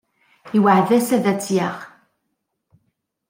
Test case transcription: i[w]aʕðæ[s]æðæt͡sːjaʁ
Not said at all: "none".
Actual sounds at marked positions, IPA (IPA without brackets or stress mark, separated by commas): w, s